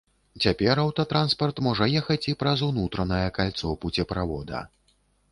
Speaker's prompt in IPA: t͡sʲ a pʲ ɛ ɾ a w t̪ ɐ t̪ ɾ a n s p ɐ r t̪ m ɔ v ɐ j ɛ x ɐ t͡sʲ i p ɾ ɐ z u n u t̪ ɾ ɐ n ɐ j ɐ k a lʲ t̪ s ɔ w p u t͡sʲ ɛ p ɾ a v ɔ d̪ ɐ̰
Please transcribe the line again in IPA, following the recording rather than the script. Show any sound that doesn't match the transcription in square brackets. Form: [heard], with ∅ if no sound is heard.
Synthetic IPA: t͡sʲ a pʲ ɛ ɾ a w t̪ ɐ t̪ ɾ a n s p ɐ r t̪ m ɔ [ʐ] ɐ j ɛ x ɐ t͡sʲ i p ɾ ɐ z u n u t̪ ɾ ɐ n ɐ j ɐ k a lʲ t̪ s ɔ w p u t͡sʲ ɛ p ɾ a v ɔ d̪ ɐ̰